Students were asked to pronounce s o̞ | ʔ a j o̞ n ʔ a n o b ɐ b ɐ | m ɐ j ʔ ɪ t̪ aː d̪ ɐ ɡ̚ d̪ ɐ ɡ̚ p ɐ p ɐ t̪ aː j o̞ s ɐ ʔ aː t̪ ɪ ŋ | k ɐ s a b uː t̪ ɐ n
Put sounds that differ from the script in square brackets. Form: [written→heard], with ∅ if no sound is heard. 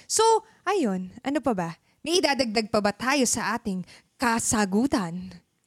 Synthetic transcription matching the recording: s o̞ | ʔ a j o̞ n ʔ [a→ɐ] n o [b→p] ɐ b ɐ | m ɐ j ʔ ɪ [t̪→d̪] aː d̪ ɐ ɡ̚ d̪ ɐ ɡ̚ p ɐ [p→b] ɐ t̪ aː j o̞ s ɐ ʔ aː t̪ ɪ ŋ | k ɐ s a [b→ɡ] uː t̪ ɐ n